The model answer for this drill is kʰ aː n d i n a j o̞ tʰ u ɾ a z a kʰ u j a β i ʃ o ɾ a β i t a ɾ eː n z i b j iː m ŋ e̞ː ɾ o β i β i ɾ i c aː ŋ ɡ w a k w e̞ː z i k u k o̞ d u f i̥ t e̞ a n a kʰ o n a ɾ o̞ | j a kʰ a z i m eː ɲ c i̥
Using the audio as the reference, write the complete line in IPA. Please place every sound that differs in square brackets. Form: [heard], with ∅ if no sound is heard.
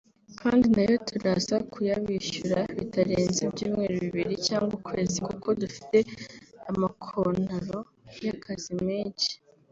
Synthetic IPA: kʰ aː n d i n a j o̞ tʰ u ɾ a z a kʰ u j a β i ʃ [u] ɾ a β i t a ɾ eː n z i b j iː m ŋ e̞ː ɾ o β i β i ɾ i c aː ŋ ɡ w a k w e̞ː z i k u k o̞ d u f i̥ t e̞ a [m] a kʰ o n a ɾ o̞ | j a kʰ a z i m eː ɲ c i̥